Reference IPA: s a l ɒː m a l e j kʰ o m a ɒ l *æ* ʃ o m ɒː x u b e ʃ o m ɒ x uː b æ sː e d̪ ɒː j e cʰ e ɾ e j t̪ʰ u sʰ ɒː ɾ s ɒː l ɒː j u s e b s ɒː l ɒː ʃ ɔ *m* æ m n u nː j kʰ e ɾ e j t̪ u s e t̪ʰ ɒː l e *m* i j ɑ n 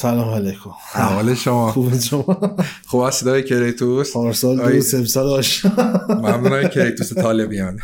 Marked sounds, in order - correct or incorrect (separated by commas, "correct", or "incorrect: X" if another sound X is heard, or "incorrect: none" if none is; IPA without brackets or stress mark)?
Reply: incorrect: e, correct, incorrect: b